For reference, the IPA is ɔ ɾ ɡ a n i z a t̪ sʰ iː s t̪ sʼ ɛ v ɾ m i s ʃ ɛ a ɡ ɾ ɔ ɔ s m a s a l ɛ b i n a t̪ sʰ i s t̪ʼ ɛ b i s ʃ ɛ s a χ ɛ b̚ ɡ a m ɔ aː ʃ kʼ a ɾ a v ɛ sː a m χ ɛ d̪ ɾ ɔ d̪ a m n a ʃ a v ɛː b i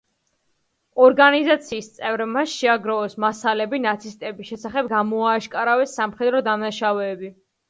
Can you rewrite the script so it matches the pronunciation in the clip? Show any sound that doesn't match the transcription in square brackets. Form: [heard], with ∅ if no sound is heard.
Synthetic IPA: ɔ ɾ ɡ a n i z a t̪ sʰ iː s t̪ sʼ ɛ v ɾ m [a] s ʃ ɛ a ɡ ɾ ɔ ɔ s m a s a l ɛ b i n a t̪ sʰ i s t̪ʼ ɛ b i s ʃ ɛ s a χ ɛ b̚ ɡ a m ɔ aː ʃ kʼ a ɾ a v ɛ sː a m χ ɛ d̪ ɾ ɔ d̪ a m n a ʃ a v ɛː b i